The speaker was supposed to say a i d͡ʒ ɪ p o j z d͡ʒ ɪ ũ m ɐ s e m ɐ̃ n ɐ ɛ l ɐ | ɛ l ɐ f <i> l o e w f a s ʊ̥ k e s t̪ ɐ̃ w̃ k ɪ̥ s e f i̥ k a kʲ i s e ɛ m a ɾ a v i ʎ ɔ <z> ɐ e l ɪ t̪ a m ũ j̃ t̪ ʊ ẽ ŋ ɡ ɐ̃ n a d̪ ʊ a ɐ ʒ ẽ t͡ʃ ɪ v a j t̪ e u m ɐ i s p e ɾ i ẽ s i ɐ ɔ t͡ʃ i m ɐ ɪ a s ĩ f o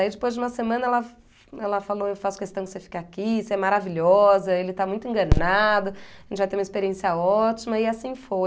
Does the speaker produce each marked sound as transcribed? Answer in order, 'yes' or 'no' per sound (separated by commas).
no, yes